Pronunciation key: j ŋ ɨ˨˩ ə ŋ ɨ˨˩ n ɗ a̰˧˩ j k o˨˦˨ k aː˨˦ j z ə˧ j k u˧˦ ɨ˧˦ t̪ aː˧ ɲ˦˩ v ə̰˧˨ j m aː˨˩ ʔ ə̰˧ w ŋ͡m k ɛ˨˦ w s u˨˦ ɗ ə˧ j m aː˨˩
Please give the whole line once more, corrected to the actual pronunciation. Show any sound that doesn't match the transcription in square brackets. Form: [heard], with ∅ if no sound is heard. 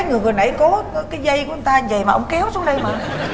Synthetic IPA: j ŋ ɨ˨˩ ə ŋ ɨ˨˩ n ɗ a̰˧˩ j k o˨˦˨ k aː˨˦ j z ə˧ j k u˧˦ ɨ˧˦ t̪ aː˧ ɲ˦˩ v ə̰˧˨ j m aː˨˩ ʔ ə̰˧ w ŋ͡m k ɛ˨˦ w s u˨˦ ɗ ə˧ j m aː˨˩